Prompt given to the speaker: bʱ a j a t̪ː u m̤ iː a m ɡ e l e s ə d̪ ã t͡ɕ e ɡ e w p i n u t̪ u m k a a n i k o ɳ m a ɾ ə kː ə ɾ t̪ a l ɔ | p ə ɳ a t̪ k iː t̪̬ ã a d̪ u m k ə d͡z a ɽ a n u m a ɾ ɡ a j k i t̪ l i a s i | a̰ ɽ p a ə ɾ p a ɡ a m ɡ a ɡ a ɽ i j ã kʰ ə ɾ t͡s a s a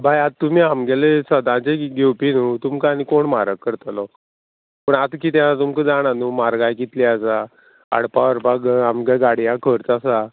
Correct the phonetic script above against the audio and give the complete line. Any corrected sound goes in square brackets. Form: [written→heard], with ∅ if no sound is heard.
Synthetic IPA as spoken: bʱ a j a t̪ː u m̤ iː a m ɡ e l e s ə d̪ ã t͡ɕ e ɡ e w p i n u t̪ u m k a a n i k o ɳ m a ɾ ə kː ə ɾ t̪ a l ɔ | p ə ɳ a t̪ k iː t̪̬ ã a [d̪→t̪] u m k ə d͡z a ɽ a n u m a ɾ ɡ a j k i t̪ l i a s [i→a] | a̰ ɽ p a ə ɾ p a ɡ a m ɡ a ɡ a ɽ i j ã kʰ ə ɾ t͡s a s a